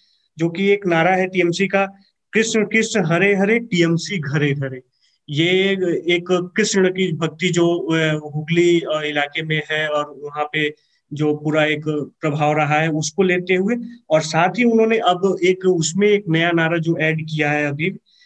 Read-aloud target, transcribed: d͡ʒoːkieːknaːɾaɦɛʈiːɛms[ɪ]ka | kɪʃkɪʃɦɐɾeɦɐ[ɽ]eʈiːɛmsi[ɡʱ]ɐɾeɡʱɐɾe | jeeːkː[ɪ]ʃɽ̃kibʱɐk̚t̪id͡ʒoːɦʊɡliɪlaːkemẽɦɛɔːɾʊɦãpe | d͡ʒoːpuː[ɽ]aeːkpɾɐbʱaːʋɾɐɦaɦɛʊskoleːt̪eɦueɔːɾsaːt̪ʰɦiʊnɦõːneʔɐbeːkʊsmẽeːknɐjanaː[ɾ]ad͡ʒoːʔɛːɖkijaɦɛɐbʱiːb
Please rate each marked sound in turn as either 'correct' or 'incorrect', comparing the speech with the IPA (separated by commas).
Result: incorrect, incorrect, correct, correct, incorrect, correct